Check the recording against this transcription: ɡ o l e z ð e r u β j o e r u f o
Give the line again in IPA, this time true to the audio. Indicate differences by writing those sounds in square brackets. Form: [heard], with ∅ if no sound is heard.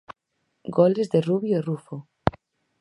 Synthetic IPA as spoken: ɡ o l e z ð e r u β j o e r u f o